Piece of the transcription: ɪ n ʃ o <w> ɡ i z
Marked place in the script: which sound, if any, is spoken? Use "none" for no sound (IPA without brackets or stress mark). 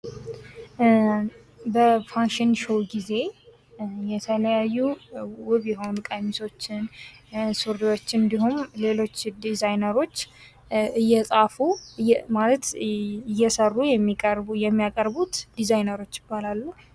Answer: w